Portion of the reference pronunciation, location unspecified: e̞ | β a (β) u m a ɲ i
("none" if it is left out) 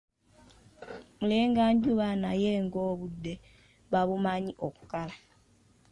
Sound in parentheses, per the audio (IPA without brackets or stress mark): β